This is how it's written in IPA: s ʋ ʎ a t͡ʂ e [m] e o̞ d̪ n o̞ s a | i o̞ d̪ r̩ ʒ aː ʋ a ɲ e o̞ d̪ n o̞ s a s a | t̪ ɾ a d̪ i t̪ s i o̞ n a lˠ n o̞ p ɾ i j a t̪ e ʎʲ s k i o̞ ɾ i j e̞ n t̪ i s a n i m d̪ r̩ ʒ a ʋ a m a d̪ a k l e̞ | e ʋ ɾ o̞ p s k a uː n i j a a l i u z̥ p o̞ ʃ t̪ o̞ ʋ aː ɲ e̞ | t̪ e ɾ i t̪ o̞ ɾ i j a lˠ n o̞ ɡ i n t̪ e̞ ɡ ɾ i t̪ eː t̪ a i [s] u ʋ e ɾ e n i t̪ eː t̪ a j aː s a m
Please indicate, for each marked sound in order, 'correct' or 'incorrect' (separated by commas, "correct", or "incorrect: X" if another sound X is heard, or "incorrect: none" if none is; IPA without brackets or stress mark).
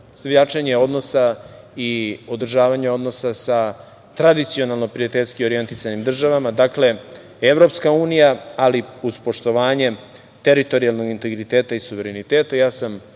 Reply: incorrect: ɲ, correct